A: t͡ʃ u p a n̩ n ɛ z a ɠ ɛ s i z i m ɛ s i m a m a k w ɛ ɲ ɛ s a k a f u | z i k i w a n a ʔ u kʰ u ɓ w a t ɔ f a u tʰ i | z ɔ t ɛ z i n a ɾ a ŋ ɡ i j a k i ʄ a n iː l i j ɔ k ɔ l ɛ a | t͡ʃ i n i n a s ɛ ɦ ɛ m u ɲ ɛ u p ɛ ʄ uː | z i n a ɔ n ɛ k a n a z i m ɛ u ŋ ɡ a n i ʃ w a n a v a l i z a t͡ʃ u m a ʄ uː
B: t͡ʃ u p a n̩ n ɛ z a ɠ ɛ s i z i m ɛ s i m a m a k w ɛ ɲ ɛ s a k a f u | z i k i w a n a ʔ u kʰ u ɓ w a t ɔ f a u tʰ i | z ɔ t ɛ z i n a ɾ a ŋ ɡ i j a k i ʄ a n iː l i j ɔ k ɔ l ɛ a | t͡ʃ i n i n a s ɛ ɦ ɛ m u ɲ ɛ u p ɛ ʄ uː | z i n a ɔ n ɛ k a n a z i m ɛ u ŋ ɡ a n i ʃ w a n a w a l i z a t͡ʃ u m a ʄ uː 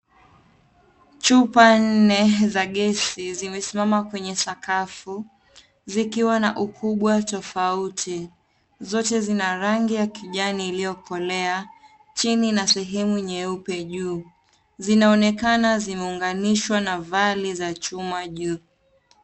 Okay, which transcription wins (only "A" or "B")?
A